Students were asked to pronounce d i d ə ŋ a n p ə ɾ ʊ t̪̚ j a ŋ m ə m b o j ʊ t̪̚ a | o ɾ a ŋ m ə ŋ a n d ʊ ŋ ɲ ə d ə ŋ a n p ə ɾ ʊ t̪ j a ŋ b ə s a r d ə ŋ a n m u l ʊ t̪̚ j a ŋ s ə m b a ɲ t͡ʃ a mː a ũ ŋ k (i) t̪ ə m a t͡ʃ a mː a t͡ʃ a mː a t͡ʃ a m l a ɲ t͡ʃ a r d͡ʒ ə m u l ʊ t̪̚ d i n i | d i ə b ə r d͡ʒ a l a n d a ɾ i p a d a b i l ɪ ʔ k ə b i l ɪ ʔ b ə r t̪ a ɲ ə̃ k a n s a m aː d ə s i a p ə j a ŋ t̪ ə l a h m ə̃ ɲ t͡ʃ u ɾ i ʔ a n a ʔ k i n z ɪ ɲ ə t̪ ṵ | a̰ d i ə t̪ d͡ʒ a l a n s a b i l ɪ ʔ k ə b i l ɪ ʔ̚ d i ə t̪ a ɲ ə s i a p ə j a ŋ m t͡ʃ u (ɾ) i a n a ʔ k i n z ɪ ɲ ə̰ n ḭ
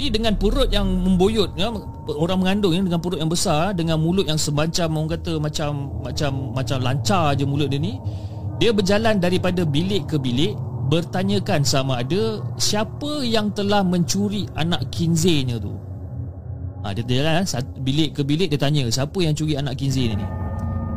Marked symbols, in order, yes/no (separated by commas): no, yes